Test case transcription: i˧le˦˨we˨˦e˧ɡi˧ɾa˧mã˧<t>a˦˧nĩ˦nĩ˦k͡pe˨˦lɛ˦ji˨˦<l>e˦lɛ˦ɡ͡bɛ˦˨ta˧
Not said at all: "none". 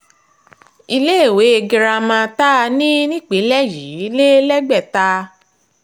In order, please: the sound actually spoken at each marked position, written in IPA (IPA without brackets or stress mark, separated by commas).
t, l